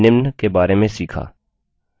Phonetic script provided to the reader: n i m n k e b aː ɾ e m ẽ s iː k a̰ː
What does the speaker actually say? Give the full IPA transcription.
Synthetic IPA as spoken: n ɪ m n k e b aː ɾ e m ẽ s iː kʰ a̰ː

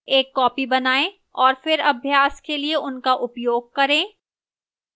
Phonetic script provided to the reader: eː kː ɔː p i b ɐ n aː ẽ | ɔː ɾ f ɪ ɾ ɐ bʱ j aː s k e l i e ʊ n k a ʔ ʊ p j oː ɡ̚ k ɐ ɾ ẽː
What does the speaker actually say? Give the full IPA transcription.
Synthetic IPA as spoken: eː kː ɔː p i b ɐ n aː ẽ | ɔː ɾ f ɪ ɾ ɐ bʱ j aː s k e l i e ʊ n k a ʔ ʊ p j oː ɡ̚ k ɐ ɾ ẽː

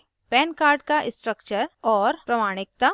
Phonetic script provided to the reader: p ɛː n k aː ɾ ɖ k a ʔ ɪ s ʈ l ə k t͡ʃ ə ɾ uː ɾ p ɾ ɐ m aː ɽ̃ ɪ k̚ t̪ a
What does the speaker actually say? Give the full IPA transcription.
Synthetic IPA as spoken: p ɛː n k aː ɾ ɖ k a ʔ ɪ s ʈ ɾ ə k t͡ʃ ə ɾ ɔː ɾ p ɾ ɐ m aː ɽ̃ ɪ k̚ t̪ a

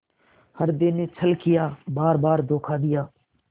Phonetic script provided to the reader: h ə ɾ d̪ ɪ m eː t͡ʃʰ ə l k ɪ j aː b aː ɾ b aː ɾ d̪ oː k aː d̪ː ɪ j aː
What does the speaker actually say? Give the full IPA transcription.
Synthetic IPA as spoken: h ə ɾ d̪ ɪ n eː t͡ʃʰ ə l k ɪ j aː b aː ɾ b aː ɾ d̪ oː kʰ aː d̪ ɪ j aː

